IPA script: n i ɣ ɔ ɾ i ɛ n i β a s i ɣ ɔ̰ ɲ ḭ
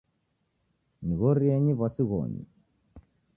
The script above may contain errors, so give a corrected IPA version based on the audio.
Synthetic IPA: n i ɣ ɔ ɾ i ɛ ɲ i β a s i ɣ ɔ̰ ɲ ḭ